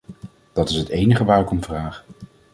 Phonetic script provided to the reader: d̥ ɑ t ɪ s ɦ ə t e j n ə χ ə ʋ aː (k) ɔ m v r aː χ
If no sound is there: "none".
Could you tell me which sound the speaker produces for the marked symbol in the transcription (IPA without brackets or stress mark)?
k